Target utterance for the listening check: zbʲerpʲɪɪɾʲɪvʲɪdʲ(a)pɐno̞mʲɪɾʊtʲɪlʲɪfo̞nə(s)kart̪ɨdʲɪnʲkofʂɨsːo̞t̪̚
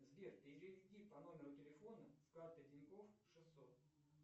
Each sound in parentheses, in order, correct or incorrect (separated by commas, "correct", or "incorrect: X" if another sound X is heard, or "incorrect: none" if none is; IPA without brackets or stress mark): incorrect: i, correct